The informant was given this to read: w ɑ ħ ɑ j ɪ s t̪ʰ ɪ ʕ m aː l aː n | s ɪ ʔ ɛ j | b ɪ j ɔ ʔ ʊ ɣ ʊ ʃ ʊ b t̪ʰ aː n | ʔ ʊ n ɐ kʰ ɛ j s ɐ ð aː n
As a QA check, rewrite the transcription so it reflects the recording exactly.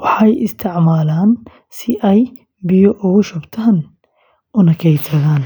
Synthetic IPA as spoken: w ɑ ħ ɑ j ɪ s t̪ʰ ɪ ʕ m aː l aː n | s ɪ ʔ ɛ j | b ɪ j ɔ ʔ ʊ ɣ ʊ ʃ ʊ b t̪ʰ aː n | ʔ ʊ n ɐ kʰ ɛ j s ɐ ð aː n